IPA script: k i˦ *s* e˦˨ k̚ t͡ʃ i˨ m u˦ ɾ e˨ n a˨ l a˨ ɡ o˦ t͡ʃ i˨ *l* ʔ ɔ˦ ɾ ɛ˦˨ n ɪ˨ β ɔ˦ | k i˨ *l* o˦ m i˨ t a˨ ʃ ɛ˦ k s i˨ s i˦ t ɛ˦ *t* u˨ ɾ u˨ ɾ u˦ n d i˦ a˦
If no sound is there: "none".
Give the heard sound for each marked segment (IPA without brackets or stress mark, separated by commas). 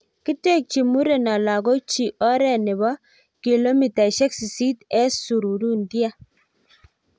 t, none, l, s